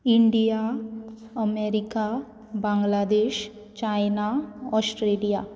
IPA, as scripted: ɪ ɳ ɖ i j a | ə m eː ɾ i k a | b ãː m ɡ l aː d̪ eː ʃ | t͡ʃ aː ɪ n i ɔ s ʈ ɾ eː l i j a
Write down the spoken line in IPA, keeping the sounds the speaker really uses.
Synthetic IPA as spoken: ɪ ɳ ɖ i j a | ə m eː ɾ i k a | b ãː ŋ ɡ l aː d̪ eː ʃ | t͡ʃ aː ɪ n a ɔ s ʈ ɾ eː l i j a